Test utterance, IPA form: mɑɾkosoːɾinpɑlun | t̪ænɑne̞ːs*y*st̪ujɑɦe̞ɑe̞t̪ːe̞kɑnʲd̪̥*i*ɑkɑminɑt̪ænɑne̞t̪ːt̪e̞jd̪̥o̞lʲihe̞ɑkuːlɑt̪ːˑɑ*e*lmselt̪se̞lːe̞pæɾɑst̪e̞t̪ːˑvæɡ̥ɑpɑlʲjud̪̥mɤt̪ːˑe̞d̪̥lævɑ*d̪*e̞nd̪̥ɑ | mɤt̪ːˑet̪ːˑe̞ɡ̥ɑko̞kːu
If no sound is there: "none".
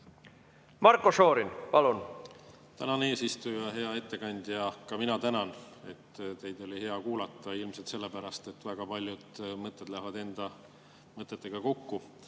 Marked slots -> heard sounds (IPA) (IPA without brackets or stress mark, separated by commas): i, j, i, d̪